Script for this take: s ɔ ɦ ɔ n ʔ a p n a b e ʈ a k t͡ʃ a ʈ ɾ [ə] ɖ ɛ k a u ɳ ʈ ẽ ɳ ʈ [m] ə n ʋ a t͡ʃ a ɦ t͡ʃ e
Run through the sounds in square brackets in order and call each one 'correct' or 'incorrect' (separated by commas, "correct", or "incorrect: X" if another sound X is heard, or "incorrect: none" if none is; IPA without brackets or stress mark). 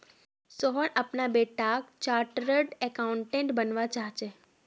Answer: correct, incorrect: b